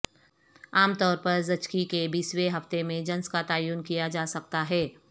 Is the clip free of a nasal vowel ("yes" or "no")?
no